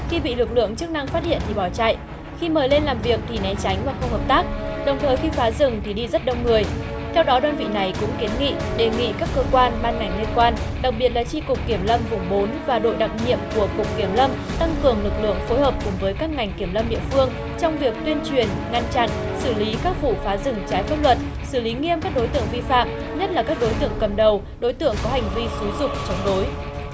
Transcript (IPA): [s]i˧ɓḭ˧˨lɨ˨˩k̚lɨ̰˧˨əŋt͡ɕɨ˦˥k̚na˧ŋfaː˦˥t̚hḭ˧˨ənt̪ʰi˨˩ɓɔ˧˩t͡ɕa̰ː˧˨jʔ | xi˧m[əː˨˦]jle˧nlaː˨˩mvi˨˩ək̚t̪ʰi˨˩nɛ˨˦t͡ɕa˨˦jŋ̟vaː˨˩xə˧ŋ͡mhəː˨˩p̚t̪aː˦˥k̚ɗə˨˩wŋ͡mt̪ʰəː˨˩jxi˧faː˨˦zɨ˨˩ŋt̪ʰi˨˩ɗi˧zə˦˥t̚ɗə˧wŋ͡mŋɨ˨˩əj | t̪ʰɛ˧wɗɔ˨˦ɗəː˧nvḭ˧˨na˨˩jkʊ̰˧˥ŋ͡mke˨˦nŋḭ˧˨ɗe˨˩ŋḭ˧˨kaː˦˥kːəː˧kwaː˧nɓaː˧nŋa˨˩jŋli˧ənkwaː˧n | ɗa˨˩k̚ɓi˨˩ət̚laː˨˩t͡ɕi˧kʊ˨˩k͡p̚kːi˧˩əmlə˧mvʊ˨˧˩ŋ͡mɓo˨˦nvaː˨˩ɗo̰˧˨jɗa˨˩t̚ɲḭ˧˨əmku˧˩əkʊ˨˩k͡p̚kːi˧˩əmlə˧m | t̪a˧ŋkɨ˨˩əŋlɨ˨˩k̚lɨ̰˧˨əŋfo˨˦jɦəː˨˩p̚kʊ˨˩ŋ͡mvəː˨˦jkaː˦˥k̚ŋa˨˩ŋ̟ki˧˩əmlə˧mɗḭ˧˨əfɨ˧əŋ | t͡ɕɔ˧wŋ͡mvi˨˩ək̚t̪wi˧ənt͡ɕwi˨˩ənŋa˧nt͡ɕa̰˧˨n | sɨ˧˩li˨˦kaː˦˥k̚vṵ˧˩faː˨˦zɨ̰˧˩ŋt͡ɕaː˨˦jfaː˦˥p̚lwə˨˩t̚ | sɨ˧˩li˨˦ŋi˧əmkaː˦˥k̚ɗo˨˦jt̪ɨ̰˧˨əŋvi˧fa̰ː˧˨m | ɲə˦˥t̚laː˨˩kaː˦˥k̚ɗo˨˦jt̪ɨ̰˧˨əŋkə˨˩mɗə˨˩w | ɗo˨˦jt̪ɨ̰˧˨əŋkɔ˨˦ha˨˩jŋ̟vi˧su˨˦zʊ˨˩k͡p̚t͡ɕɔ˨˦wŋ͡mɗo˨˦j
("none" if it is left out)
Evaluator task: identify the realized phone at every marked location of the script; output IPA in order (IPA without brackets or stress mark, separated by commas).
x, əː˨˩